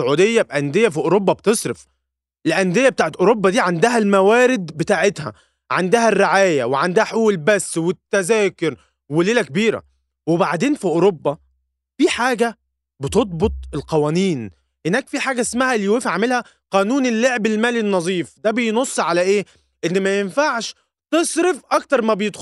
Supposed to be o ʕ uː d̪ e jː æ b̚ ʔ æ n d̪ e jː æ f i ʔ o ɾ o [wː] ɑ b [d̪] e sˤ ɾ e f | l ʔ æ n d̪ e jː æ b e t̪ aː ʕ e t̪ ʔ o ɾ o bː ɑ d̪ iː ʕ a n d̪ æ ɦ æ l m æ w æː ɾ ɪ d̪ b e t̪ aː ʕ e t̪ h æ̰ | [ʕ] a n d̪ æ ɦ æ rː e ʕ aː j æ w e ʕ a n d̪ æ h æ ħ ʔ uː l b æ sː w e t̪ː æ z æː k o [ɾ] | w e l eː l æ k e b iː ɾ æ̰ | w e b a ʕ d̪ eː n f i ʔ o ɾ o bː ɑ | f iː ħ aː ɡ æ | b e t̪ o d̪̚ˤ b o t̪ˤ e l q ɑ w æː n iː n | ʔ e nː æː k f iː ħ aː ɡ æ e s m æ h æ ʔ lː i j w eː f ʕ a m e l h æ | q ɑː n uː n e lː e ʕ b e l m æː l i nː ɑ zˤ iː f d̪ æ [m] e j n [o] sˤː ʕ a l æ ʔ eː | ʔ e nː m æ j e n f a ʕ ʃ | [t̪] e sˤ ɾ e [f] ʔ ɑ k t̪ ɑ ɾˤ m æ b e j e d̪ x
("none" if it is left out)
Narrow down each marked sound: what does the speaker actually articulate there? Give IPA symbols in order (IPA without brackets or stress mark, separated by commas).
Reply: bː, t̪, ʕ, ɾ, b, o, t̪, f